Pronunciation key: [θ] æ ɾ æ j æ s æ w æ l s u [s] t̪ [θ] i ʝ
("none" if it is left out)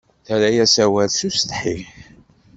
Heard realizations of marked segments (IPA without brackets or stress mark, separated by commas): θ, s, ħ